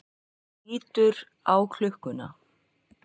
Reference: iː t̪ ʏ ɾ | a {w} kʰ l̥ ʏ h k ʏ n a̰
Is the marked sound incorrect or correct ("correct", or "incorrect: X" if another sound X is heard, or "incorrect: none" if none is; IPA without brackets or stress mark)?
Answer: correct